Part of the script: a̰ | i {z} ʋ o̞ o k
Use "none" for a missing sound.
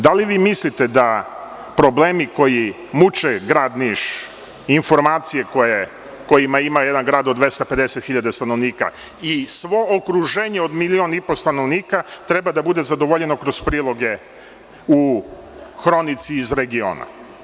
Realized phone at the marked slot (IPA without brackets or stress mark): s